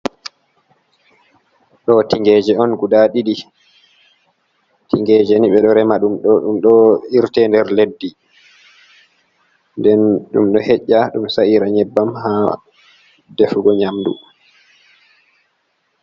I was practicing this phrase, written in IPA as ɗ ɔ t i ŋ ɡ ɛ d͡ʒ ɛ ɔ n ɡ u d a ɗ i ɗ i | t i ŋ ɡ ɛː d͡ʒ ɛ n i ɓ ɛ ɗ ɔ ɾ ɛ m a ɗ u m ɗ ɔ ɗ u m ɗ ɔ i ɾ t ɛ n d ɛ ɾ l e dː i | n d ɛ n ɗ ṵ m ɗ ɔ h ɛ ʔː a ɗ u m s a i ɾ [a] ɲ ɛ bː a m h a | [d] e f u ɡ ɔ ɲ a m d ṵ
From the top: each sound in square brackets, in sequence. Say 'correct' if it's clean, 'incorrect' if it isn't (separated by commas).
correct, correct